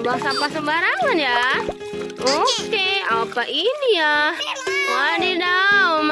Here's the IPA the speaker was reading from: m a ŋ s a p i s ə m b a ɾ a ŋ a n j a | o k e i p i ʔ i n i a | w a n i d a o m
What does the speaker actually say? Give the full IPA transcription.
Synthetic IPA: b a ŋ s a p a s ə m b a ɾ a ŋ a n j a | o k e a p a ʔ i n i a | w a n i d a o m